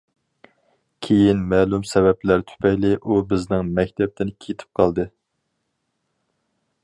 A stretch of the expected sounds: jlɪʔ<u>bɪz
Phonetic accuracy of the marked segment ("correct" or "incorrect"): correct